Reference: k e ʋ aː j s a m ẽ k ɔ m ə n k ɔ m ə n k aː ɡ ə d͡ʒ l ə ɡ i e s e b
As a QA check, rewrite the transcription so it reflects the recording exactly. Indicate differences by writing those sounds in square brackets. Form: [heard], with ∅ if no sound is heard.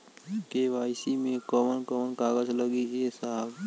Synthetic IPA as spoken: k e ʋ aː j s [i] m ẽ k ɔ m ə n k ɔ m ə n k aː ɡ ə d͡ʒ l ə ɡ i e s [a] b